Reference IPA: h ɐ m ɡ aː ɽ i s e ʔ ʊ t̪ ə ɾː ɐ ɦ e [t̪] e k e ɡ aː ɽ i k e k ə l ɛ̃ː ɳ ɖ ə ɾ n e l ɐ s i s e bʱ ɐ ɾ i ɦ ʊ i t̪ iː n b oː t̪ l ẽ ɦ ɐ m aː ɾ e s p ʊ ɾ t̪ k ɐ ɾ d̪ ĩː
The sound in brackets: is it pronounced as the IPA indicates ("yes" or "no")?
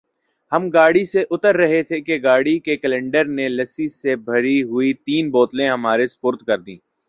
no